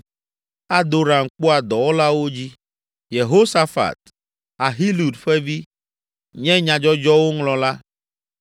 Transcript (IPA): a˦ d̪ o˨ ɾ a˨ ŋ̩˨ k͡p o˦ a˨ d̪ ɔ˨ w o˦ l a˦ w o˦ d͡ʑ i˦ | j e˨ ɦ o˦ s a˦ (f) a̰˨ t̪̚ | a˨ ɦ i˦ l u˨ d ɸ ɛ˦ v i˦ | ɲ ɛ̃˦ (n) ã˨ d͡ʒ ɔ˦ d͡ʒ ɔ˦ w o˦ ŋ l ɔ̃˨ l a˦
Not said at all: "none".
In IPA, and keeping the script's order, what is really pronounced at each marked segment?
f, ɲ

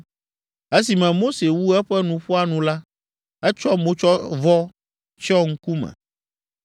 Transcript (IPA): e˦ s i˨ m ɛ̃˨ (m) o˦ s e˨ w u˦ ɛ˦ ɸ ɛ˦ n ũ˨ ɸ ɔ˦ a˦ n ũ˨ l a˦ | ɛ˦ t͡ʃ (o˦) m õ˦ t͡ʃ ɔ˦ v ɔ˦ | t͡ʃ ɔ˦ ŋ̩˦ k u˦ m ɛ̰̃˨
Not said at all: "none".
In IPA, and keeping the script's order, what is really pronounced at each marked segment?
m, ɔ˦

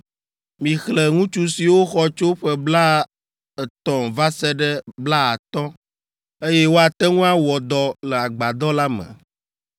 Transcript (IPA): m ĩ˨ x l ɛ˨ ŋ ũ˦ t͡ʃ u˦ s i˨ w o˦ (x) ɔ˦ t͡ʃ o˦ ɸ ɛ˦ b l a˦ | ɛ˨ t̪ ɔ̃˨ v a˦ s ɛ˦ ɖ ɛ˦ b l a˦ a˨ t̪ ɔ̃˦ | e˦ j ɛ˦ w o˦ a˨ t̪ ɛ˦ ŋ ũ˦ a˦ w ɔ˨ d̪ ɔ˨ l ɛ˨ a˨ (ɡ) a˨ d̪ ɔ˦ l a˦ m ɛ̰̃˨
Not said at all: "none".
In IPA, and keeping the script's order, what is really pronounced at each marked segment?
x, ɡ͡b

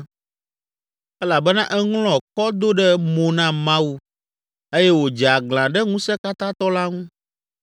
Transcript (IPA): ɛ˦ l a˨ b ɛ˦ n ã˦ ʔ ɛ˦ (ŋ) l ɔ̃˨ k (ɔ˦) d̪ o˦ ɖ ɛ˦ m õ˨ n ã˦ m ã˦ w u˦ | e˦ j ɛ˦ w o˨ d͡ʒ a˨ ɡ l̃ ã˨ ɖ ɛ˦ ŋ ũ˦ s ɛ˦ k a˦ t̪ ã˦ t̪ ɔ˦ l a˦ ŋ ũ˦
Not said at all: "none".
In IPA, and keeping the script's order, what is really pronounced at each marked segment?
ŋ, ɔ˦

